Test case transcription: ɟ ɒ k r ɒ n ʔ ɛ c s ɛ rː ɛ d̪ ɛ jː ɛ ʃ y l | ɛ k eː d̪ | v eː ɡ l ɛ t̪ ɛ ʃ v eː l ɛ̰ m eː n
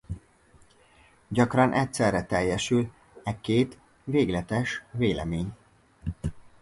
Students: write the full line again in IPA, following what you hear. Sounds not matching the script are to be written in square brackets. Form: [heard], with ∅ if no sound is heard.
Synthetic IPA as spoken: ɟ ɒ k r ɒ n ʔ ɛ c s ɛ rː ɛ [t̪] ɛ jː ɛ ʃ y l | ɛ k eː [t̪] | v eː ɡ l ɛ t̪ ɛ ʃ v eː l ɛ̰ m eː [ɲ]